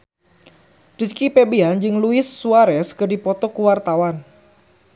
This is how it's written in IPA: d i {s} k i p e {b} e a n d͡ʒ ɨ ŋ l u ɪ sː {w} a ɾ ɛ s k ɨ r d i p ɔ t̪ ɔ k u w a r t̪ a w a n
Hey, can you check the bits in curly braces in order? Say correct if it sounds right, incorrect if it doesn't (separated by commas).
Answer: correct, correct, incorrect